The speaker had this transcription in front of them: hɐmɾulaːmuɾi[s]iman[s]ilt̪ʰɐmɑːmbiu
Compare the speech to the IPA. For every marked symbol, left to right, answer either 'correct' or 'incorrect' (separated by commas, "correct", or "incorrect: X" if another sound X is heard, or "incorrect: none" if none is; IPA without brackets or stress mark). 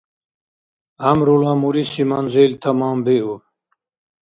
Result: correct, incorrect: z